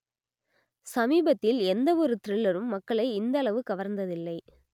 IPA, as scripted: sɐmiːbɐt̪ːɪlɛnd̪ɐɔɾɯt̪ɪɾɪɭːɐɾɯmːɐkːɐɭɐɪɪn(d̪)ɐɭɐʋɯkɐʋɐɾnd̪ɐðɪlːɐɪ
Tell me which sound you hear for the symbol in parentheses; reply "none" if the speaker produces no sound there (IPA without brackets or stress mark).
d̪